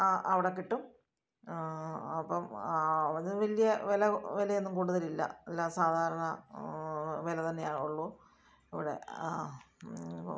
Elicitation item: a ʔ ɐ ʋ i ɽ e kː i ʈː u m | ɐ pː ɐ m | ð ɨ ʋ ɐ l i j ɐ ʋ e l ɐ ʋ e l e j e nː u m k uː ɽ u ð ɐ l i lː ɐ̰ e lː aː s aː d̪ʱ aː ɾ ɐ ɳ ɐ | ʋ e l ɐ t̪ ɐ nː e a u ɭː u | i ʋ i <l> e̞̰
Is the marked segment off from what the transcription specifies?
yes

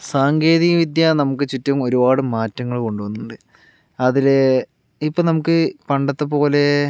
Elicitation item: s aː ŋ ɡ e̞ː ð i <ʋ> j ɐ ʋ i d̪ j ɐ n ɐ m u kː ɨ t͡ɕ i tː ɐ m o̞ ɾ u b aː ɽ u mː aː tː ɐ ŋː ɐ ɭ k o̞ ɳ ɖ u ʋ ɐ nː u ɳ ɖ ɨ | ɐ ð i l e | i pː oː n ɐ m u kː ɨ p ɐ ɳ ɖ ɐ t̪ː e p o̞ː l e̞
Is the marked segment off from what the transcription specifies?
yes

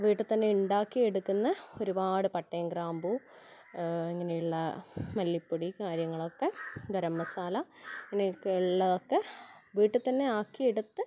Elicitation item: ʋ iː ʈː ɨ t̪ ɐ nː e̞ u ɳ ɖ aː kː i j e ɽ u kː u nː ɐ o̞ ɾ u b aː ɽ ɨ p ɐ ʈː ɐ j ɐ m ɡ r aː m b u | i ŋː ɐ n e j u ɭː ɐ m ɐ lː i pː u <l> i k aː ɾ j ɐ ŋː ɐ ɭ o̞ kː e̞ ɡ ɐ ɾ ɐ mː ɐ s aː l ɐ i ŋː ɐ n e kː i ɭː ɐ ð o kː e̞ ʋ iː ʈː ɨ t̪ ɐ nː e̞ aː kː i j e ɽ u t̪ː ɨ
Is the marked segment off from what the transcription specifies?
yes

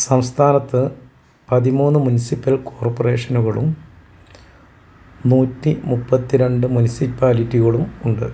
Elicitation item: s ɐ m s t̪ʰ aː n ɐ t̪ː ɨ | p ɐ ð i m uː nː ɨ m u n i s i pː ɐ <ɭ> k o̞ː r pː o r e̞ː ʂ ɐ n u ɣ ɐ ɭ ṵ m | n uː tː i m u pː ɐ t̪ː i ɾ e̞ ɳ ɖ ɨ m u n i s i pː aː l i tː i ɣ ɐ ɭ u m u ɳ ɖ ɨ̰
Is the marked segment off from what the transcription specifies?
yes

